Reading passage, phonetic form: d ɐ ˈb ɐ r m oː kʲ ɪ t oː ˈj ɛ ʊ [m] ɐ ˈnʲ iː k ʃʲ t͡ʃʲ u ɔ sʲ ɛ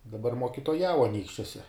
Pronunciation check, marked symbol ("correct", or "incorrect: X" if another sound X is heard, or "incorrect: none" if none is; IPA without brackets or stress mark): incorrect: none